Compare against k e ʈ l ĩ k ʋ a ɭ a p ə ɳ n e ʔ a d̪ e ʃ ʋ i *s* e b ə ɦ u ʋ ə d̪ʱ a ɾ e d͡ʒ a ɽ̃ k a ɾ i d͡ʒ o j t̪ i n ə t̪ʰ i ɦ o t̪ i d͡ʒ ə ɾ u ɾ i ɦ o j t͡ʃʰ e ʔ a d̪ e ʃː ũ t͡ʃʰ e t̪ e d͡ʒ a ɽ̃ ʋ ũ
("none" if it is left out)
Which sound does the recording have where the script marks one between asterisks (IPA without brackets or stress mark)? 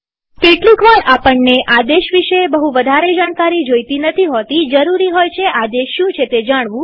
ʃ